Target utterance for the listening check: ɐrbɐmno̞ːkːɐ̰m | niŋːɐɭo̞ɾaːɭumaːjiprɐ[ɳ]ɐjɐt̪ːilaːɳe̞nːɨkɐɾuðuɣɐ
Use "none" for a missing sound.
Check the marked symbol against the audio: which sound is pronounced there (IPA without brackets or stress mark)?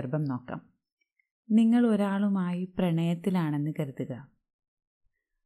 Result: ɳ